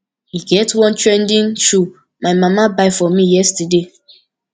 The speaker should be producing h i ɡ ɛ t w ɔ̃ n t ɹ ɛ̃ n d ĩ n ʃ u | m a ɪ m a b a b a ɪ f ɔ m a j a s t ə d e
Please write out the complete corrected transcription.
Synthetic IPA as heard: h i ɡ ɛ t w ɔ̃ n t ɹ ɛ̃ n d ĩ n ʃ u | m a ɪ m a m a b a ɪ f ɔ m i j ɛ s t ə d e